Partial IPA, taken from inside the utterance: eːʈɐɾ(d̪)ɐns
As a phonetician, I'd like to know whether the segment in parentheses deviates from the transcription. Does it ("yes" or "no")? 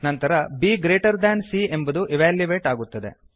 no